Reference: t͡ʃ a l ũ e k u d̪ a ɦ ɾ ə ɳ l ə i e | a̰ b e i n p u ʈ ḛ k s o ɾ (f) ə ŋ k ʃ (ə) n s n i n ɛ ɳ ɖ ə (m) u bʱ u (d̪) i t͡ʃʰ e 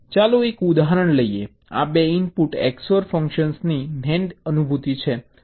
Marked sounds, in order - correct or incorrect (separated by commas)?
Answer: correct, correct, incorrect, incorrect